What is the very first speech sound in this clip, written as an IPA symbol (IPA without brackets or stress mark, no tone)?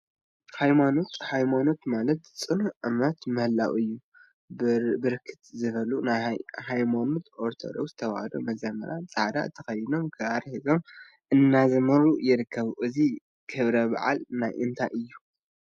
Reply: h